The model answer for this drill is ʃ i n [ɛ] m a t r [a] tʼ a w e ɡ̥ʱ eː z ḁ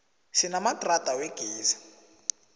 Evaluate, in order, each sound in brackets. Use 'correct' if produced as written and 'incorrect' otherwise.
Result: incorrect: a, correct

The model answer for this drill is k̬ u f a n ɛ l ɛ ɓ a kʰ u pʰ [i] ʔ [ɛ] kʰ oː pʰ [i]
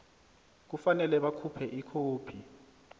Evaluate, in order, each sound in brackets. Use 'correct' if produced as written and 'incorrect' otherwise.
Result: incorrect: ɛ, incorrect: i, correct

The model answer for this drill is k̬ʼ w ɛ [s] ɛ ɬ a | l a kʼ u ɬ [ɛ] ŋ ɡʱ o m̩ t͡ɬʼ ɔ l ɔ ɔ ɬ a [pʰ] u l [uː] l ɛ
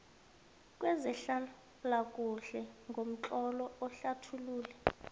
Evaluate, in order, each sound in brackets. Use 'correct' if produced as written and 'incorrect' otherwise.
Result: incorrect: z, correct, incorrect: tʰ, correct

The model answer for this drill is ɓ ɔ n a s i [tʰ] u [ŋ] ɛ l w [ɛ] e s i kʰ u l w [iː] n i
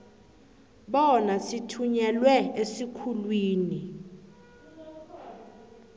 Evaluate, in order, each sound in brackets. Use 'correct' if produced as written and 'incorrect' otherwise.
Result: correct, incorrect: ɲ, correct, correct

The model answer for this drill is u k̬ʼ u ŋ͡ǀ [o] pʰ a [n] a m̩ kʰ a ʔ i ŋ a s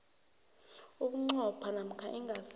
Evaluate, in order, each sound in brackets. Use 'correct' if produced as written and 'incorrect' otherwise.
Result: incorrect: ɔ, correct

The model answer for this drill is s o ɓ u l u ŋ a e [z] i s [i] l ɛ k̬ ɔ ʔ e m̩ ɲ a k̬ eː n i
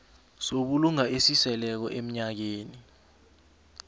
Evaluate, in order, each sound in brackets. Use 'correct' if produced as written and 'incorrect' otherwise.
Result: incorrect: s, incorrect: ɛ

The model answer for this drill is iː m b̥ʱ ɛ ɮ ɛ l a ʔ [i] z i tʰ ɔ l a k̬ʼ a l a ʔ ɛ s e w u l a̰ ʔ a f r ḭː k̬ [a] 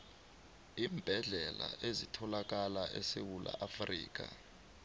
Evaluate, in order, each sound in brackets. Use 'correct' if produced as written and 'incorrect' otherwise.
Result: incorrect: e, correct

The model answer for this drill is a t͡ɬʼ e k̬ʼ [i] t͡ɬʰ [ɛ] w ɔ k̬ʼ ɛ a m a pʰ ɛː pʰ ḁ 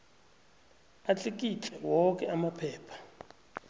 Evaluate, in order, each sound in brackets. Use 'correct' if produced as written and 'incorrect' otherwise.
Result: correct, correct

